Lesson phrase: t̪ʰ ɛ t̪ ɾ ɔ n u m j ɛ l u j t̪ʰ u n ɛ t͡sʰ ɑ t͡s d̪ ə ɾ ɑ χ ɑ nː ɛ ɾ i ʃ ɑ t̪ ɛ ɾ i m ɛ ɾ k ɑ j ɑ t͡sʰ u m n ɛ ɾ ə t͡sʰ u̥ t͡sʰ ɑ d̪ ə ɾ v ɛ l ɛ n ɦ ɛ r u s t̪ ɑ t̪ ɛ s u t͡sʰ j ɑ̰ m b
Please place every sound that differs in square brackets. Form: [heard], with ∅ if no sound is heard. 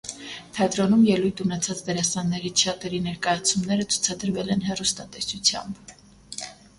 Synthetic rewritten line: t̪ʰ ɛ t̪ ɾ ɔ n u m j ɛ l u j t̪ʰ u n ɛ t͡sʰ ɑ t͡s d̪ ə ɾ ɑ [s] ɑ nː ɛ ɾ i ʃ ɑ t̪ ɛ ɾ i [n] ɛ ɾ k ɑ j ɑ t͡sʰ u m n ɛ ɾ ə t͡sʰ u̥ t͡sʰ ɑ d̪ ə ɾ v ɛ l ɛ n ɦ ɛ r u s t̪ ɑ t̪ ɛ s u t͡sʰ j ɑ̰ m b